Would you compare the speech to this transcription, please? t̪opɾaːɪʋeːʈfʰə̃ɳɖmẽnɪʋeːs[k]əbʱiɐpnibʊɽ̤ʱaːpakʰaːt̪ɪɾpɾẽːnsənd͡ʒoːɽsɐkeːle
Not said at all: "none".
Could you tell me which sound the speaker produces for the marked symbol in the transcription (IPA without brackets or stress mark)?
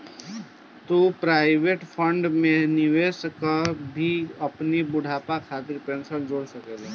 k